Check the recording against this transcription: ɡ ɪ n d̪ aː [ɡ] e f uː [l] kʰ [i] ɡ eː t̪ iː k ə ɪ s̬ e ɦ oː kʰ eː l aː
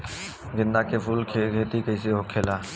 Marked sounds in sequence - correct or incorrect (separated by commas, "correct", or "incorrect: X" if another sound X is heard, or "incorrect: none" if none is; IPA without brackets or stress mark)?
incorrect: k, correct, incorrect: e